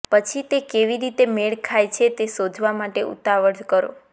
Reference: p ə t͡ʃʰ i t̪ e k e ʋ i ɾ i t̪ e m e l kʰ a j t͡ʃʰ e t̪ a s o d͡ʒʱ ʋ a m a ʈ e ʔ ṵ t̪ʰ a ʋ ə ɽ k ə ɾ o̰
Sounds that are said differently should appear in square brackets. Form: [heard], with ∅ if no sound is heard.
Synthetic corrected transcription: p ə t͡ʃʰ i t̪ e k e ʋ i ɾ i t̪ e m e [ɭ] kʰ a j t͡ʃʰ e t̪ [e] s o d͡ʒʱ ʋ a m a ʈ e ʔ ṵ [t̪] a ʋ ə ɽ k ə ɾ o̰